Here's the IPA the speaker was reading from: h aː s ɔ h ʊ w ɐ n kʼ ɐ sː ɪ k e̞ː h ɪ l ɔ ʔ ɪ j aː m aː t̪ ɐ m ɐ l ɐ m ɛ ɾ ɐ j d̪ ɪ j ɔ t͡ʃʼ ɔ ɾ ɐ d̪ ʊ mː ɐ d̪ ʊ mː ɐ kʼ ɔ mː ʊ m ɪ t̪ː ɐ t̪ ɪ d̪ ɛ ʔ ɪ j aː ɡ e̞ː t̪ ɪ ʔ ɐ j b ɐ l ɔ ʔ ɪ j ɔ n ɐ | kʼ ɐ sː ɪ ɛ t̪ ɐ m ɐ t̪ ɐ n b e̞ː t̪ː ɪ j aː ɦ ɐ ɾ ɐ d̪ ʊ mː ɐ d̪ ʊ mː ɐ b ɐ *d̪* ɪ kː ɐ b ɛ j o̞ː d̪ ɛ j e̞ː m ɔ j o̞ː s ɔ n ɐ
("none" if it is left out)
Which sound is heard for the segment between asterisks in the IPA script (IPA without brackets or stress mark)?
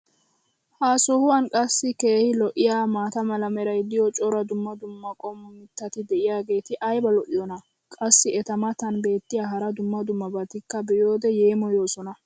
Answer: t̪